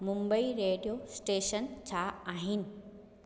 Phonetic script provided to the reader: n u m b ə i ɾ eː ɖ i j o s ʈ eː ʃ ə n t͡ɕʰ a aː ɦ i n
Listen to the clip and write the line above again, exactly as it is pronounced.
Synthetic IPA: m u m b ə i ɾ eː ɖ i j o s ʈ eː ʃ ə n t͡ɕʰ a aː ɦ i n